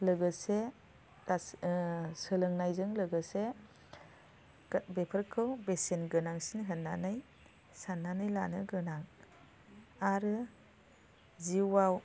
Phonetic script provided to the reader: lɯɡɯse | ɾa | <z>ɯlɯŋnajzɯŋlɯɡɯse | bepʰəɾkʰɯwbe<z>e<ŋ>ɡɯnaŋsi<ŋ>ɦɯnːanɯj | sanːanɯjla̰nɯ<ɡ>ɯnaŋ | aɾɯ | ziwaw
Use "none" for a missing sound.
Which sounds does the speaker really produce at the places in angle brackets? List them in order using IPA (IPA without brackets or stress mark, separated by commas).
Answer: s, s, n, n, ɡ